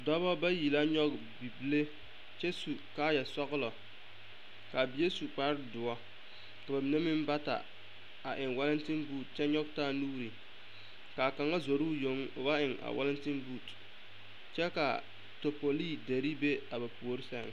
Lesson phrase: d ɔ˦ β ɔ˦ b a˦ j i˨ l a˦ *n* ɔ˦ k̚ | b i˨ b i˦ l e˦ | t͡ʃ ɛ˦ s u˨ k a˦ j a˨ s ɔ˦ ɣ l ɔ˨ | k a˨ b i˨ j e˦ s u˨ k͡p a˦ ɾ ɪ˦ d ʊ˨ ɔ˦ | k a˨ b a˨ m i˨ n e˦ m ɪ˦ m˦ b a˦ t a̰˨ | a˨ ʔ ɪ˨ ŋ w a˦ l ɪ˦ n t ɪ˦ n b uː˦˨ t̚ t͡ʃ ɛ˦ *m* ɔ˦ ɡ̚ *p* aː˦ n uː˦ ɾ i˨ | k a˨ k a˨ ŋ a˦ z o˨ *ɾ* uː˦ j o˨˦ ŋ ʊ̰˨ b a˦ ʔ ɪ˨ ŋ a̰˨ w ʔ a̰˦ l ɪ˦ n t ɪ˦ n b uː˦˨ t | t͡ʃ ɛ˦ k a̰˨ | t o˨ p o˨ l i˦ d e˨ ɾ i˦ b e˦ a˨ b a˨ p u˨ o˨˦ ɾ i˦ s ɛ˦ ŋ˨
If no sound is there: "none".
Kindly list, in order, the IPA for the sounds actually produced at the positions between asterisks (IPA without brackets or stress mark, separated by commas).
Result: ɲ, ɲ, t, ɾ